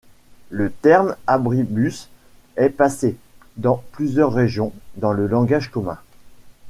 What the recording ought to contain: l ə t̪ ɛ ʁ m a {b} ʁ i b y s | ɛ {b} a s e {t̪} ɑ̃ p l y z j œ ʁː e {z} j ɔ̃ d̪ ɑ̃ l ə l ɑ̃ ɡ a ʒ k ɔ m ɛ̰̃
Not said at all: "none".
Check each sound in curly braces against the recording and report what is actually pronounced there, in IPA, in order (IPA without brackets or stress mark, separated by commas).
b, p, d̪, ʒ